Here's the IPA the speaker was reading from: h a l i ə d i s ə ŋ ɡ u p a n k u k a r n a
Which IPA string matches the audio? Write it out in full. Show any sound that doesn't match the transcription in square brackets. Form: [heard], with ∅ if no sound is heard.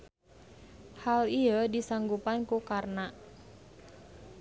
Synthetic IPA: h a l i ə d i s [a] ŋ ɡ u p a n k u k a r n a